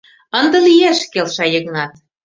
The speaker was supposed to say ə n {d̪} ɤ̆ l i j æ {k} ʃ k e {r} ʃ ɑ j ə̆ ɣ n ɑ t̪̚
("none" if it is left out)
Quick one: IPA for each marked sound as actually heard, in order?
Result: d̪, none, l

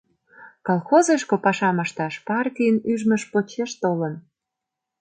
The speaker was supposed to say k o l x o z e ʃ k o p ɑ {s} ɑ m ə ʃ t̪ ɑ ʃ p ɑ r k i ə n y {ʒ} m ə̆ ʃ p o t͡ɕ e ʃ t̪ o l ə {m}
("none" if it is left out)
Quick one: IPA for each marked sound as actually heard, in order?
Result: ʃ, ʒ, n

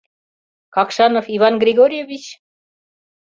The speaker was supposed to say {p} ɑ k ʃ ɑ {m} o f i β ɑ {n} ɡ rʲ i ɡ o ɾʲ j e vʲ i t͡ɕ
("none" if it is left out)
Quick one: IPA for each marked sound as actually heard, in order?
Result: k, n, n

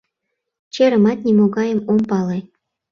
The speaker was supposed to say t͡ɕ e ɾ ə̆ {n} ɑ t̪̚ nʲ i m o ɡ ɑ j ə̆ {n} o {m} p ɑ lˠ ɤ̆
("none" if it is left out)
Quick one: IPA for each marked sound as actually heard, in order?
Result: m, m, m

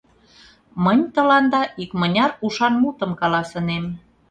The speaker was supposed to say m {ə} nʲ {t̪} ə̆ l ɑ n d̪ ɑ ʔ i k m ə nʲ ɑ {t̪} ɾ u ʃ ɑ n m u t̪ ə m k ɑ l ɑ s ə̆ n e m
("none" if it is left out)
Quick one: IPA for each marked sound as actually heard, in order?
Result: ə, t̪, none

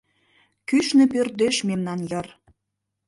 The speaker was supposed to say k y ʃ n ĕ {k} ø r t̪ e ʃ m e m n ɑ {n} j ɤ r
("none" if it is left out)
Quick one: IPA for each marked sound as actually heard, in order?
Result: p, n

